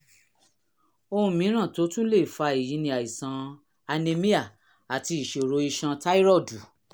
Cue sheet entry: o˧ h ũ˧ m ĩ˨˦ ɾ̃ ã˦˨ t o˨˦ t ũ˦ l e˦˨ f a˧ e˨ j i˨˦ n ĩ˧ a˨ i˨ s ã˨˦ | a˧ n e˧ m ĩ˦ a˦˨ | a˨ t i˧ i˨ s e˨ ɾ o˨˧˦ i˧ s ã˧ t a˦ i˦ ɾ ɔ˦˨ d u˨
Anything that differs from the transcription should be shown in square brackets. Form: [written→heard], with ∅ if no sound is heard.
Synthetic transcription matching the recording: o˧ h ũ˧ m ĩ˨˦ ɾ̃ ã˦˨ t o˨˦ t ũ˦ l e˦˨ f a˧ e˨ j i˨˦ n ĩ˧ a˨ i˨ s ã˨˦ | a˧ n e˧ m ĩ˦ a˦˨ | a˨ t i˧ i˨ [s→ʃ] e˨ ɾ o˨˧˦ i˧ [s→ʃ] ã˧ t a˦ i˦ ɾ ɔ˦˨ d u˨